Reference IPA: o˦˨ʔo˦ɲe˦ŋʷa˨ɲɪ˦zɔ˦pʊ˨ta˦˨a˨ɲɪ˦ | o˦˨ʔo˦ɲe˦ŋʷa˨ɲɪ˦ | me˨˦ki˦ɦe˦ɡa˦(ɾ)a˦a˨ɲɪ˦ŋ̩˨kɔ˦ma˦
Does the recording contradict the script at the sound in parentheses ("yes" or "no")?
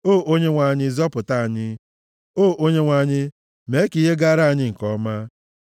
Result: no